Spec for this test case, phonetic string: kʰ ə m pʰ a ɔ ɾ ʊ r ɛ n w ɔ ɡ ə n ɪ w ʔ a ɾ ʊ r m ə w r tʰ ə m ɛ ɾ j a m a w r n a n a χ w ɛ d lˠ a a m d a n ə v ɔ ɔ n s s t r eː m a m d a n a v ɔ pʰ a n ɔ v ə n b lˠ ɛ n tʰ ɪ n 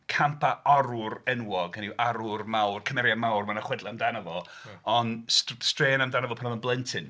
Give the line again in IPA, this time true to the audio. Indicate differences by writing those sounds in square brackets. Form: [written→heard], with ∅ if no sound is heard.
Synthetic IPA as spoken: kʰ [ə→a] m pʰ a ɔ ɾ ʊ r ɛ n w ɔ ɡ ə n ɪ w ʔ a ɾ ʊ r m [ə→a] w r [tʰ→kʰ] ə m ɛ ɾ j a m a w r [n→m] a n a χ w ɛ d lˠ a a m d a n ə v ɔ ɔ n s s t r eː [m→n] a m d a n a v ɔ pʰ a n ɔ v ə n b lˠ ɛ n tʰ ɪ n